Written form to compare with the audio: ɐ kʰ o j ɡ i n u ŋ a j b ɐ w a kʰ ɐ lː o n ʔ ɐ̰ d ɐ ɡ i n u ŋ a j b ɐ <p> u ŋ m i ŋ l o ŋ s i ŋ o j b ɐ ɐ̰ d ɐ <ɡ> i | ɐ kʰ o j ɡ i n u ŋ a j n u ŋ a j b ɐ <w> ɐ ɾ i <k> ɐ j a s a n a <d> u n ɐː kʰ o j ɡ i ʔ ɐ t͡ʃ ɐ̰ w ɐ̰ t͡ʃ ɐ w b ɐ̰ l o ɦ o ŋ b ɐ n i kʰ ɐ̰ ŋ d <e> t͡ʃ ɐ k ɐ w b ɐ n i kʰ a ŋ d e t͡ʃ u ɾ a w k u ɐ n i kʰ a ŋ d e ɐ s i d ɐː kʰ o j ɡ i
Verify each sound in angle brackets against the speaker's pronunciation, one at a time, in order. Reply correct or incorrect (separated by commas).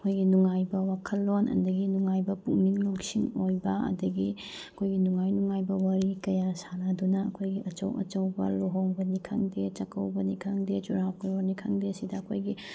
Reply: correct, correct, correct, correct, correct, correct